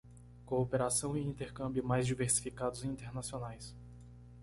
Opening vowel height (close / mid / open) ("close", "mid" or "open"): mid